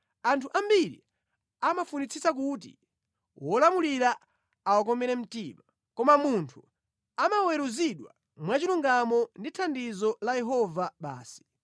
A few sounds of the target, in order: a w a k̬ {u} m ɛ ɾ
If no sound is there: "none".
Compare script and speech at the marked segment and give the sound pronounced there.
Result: ɔ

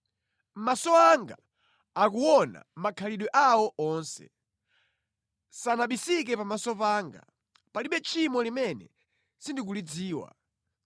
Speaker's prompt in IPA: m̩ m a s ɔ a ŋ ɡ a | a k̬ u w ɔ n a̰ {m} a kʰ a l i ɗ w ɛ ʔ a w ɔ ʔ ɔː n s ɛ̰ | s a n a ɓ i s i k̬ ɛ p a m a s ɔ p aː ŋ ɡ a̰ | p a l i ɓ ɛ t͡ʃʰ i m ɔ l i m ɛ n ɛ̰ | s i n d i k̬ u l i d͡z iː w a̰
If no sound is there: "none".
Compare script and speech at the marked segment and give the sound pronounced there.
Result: m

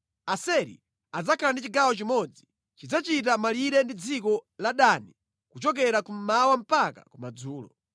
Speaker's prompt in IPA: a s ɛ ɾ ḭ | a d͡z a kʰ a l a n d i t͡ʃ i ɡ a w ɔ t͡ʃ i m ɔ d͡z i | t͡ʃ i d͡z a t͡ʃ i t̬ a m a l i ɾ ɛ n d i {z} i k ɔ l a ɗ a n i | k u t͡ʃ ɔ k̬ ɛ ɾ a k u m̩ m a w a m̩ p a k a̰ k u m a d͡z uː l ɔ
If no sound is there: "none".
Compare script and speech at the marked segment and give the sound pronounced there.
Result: d͡z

